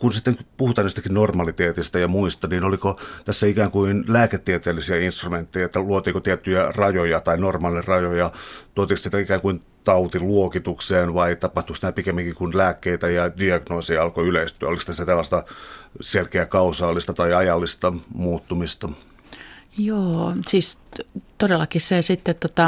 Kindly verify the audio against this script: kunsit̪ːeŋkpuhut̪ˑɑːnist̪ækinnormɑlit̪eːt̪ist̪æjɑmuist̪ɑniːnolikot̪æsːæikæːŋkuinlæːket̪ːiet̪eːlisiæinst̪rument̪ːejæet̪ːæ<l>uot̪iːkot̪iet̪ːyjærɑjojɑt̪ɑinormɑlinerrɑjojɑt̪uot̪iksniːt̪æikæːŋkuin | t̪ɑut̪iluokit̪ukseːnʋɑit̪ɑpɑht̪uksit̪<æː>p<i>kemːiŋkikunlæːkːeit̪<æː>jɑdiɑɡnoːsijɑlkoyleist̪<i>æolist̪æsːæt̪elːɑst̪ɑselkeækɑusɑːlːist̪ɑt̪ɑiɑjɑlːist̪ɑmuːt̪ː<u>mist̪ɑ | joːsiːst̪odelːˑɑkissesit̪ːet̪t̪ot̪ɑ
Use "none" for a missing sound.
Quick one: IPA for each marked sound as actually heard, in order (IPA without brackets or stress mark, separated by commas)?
l, æ, i, æ, y, u